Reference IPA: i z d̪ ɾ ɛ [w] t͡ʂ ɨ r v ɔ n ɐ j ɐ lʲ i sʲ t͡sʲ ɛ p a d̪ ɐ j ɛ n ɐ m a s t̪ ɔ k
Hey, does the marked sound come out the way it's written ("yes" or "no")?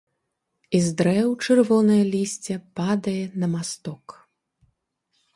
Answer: yes